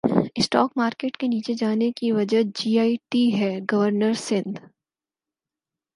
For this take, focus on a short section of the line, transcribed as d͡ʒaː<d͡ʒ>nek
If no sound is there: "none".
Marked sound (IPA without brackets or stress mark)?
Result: none